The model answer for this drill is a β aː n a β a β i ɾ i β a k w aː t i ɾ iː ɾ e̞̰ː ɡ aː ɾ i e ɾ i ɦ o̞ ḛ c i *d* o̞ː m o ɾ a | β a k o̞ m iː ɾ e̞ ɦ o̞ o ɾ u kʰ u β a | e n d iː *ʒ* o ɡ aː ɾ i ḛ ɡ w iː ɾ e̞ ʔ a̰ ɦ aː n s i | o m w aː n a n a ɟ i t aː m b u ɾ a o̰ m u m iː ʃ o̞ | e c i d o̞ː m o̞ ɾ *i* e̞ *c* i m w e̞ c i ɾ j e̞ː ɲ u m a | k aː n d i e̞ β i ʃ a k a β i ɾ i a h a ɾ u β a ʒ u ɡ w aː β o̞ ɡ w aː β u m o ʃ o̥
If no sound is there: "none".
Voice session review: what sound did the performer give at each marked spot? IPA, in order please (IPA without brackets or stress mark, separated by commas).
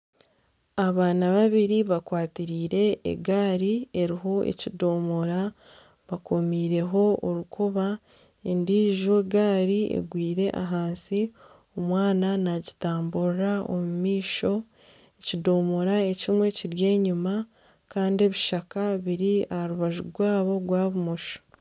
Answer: d, ʒ, a, c